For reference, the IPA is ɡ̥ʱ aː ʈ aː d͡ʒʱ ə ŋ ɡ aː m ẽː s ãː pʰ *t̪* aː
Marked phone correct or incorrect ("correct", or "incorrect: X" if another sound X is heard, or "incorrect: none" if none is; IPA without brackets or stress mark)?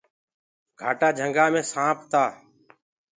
correct